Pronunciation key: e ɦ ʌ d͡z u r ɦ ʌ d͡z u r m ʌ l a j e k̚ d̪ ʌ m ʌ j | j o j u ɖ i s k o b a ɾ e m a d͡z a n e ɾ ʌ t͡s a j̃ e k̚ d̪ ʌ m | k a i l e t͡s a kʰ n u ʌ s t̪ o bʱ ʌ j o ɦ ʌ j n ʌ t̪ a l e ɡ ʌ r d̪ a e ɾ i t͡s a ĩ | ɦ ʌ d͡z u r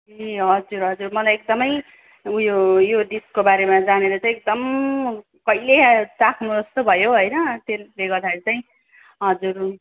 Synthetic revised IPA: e ɦ ʌ d͡z u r ɦ ʌ d͡z u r m ʌ l a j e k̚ d̪ ʌ m ʌ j | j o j o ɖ i s k o b a ɾ e m a d͡z a n e ɾ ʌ t͡s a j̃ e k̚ d̪ ʌ m | k ʌ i l e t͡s a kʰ n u ʌ s t̪ o bʱ ʌ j o ɦ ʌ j n ʌ t̪ e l e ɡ ʌ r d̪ a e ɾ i t͡s a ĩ | ɦ ʌ d͡z u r